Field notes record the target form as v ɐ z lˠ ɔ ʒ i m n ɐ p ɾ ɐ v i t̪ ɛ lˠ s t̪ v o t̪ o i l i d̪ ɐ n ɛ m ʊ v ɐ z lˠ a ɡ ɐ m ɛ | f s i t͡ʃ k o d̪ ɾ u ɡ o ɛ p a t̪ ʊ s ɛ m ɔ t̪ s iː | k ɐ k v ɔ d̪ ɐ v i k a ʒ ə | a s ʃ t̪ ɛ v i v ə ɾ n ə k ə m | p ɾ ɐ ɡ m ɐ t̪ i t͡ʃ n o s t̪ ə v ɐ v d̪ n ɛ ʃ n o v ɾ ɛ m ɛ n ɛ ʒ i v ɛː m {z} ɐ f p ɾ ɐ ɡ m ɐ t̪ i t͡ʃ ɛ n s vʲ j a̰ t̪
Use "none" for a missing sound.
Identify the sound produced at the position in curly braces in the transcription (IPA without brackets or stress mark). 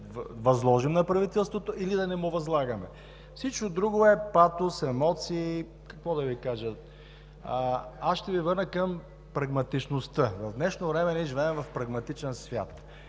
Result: v